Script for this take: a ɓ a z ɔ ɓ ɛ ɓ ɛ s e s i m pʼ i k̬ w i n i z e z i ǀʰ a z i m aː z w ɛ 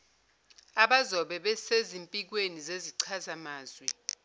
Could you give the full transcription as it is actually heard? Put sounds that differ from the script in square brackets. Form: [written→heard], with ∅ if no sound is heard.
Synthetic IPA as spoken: a ɓ a z ɔ ɓ ɛ ɓ ɛ s e [s→z] i m pʼ i k̬ w [i→e] n i z e z i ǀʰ a z [i→a] m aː z w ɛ